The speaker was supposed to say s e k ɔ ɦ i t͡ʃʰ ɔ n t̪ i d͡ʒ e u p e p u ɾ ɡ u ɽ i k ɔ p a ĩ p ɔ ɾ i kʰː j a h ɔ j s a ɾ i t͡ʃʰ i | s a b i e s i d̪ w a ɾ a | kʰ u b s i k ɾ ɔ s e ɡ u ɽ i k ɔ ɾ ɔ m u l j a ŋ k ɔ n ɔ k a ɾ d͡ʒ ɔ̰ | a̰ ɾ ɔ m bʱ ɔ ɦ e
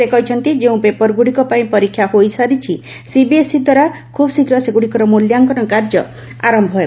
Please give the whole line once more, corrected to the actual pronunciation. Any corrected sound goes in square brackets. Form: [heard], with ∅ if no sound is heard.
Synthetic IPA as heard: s e k ɔ ɦ i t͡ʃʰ ɔ n t̪ i d͡ʒ e [ũ] p e p [ɔ] ɾ ɡ u ɽ i k ɔ p a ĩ p ɔ ɾ i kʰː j a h [o] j s a ɾ i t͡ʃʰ i | s [i] b i e s i d̪ w a ɾ a | kʰ u b s i k ɾ ɔ s e ɡ u ɽ i k ɔ ɾ ɔ m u l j a ŋ k ɔ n ɔ k a ɾ d͡ʒ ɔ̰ | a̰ ɾ ɔ m bʱ ɔ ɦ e